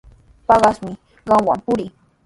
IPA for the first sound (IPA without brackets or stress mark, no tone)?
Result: p